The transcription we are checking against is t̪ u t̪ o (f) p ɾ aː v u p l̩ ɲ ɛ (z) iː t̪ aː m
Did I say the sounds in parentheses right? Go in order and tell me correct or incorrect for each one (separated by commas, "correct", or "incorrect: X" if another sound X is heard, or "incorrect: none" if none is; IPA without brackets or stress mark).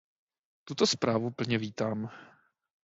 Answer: incorrect: s, incorrect: v